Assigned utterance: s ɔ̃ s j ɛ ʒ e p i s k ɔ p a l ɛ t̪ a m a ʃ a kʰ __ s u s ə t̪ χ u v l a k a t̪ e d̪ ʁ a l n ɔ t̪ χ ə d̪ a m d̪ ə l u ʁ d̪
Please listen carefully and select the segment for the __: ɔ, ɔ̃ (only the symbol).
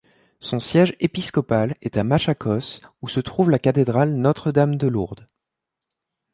ɔ